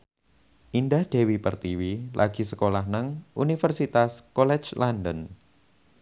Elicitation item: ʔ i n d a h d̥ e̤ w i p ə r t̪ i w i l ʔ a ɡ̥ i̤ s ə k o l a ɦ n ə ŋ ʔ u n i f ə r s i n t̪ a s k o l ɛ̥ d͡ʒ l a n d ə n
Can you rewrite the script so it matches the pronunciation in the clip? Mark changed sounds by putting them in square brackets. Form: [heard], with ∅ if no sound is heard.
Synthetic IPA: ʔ i n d a h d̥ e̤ w i p ə r t̪ i w i l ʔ a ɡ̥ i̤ s ə k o l a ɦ n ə ŋ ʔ u n i f ə r s i [∅] t̪ a s k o l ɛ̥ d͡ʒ l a n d ə n

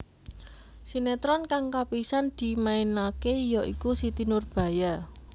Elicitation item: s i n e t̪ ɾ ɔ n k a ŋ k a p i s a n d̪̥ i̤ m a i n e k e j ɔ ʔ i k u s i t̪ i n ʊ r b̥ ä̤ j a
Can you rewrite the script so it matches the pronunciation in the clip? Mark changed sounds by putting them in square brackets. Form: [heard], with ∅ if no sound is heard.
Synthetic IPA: s i n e t̪ ɾ ɔ n k a ŋ k a p i s a n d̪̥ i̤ m a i n [a] k e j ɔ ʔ i k u s i t̪ i n ʊ r b̥ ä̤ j a

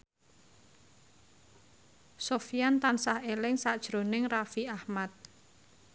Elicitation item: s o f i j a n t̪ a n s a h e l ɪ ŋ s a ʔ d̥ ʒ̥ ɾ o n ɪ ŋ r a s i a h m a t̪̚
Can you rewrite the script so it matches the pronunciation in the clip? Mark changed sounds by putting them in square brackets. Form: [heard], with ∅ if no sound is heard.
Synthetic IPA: s o f i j a n t̪ a n s a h e l ɪ ŋ s a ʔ d̥ ʒ̥ ɾ o n ɪ ŋ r a [f] i a h m a t̪̚

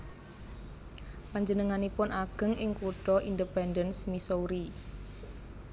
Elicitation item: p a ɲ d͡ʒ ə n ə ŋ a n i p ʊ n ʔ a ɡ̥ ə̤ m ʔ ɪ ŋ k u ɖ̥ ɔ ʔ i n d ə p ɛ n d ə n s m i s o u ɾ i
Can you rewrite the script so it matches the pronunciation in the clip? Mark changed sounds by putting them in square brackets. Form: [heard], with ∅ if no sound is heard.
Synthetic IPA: p a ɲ d͡ʒ ə n ə ŋ a n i p ʊ n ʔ a ɡ̥ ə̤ [ŋ] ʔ ɪ ŋ k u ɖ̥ ɔ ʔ i n d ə p ɛ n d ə n s m i s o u ɾ i

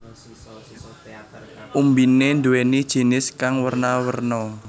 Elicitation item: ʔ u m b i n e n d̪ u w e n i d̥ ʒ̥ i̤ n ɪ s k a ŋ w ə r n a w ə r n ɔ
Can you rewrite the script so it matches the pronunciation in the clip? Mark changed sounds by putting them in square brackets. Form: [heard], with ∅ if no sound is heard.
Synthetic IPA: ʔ u m b i n e n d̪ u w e n i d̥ ʒ̥ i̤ n ɪ s k a ŋ w ə r n a w ə r n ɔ

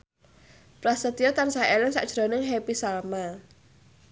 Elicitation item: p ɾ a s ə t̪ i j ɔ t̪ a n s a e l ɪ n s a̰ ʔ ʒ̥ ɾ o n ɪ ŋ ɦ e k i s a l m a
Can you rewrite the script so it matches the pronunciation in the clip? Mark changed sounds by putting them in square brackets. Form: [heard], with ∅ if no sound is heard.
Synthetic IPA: p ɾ a s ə t̪ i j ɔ t̪ a n s a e l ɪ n s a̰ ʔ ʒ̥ ɾ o n ɪ ŋ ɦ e [p] i s a l m a

